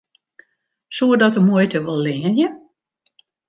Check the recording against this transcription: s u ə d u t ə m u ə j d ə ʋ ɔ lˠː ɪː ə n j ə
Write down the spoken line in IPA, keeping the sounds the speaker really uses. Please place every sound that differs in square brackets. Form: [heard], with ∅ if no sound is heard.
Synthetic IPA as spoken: s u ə d [ɔ] t ə m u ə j [t] ə ʋ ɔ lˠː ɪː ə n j ə